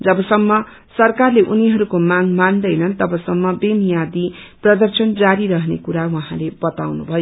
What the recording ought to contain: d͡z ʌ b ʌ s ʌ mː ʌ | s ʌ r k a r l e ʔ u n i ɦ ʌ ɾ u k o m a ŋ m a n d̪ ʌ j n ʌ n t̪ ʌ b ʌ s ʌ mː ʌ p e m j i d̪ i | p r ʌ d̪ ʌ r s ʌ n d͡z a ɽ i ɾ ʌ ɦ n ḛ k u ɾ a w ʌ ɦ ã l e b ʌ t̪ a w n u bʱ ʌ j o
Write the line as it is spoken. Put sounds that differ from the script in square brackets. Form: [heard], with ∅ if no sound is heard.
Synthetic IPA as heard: d͡z ʌ b ʌ s ʌ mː ʌ | s ʌ r k a r l e ʔ u n i ɦ ʌ ɾ u k o m a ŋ m a n d̪ ʌ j n ʌ n t̪ ʌ b ʌ s ʌ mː ʌ [b] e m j [a] d̪ i | p r ʌ d̪ ʌ r s ʌ n d͡z a [ɾ] i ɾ ʌ ɦ n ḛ k u ɾ a w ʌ ɦ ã l e b ʌ t̪ a w n u bʱ ʌ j o

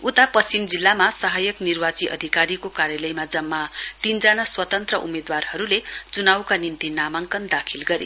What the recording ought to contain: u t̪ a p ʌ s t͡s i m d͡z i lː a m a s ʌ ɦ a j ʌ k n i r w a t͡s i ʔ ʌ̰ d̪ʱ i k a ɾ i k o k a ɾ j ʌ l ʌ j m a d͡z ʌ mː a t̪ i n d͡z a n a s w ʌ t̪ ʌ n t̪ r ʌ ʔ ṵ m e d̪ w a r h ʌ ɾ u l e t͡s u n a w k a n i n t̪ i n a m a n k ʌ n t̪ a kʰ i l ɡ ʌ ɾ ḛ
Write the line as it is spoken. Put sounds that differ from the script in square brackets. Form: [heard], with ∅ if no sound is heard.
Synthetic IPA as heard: u t̪ a p ʌ s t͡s i m d͡z i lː a m a s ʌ ɦ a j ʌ k n i r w a t͡s i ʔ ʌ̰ d̪ʱ i k a ɾ i k o k a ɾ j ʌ l ʌ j m a d͡z ʌ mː a t̪ i n d͡z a n a s w ʌ t̪ ʌ n t̪ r ʌ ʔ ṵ m e d̪ w a r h ʌ ɾ u l e t͡s u n a w k a n i n t̪ i n a m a [ŋ] k ʌ n [d̪] a kʰ i l ɡ ʌ ɾ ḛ

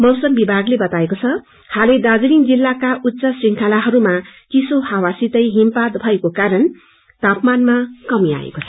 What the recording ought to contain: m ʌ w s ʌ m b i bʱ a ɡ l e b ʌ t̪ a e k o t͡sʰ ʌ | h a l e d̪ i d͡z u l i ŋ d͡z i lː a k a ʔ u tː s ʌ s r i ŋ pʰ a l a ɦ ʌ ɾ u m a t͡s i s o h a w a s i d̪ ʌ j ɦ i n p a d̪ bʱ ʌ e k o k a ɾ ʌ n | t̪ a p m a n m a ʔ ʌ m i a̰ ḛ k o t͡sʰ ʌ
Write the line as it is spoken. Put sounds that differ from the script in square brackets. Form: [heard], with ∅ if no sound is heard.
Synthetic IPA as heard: m ʌ w s ʌ m b i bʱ a ɡ l e b ʌ t̪ a e k o t͡sʰ ʌ | h a l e d̪ [a] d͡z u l i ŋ d͡z i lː a k a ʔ u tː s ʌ s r i ŋ [kʰ] a l a ɦ ʌ ɾ u m a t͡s i s o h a w a s i [t̪] ʌ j ɦ i [m] p a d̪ bʱ ʌ e k o k a ɾ ʌ n | t̪ a p m a n m a [k] ʌ m i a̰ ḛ k o t͡sʰ ʌ

